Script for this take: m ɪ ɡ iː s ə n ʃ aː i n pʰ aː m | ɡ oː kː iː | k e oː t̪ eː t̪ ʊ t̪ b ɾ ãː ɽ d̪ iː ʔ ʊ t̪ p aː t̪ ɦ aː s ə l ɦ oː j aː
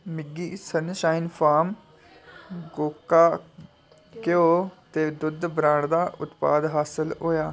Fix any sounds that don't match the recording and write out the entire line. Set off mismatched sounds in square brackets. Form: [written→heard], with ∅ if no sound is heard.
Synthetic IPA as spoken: m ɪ ɡ iː s ə n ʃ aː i n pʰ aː m | ɡ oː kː [iː→aː] | k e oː t̪ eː [t̪→d̪] ʊ [t̪→d̪] b ɾ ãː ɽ d̪ [iː→aː] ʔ ʊ t̪ p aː [t̪→d̪] ɦ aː s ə l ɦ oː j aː